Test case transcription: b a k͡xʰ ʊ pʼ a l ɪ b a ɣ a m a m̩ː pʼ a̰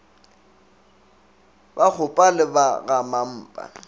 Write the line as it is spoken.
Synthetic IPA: b a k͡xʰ ʊ pʼ a l ɪ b a ɣ a m a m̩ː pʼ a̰